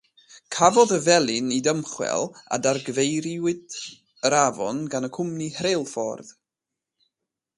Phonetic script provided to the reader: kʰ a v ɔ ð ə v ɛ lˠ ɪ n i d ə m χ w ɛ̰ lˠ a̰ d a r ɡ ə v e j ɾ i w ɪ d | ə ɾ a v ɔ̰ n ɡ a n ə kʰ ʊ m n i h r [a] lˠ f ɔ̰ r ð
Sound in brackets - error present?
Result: yes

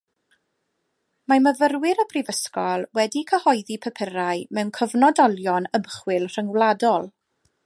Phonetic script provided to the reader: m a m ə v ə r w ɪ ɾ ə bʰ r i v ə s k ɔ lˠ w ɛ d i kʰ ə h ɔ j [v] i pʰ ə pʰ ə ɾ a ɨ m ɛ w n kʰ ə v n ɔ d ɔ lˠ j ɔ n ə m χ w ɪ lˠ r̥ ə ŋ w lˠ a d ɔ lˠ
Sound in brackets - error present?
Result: yes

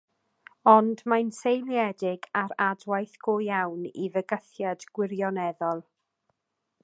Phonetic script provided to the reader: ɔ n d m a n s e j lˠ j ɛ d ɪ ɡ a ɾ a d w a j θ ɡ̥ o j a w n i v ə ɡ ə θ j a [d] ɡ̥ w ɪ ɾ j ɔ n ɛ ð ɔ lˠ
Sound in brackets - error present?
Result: no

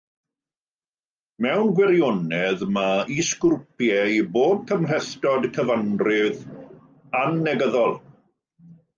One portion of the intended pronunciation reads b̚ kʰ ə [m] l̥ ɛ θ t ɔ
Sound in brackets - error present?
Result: no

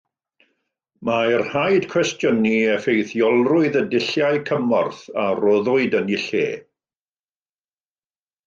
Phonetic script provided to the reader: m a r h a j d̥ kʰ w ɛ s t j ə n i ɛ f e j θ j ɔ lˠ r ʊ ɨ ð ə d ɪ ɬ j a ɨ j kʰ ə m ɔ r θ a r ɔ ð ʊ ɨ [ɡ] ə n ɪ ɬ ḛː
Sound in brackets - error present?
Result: yes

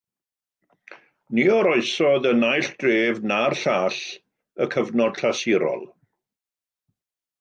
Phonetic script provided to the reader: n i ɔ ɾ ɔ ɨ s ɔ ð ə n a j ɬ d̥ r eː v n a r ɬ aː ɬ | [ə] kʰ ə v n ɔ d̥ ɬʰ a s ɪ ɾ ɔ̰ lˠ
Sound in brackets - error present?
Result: no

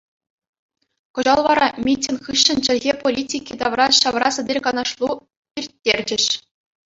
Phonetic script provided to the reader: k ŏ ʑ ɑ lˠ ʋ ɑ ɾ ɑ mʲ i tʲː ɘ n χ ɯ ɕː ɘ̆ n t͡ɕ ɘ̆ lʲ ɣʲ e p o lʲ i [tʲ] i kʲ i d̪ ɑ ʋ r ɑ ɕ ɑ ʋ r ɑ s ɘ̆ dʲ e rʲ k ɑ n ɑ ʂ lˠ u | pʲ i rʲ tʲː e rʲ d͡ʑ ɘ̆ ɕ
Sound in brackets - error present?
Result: no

